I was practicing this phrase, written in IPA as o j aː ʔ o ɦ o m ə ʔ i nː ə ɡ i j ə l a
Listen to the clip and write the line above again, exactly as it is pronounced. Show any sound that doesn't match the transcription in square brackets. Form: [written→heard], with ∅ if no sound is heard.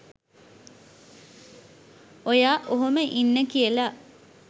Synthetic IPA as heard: o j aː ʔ o ɦ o m ə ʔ i nː ə [ɡ→k] i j ə l a